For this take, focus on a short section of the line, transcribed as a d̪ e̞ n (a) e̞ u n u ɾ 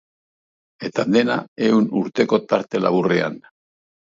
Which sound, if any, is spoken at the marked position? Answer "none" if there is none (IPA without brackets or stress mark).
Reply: a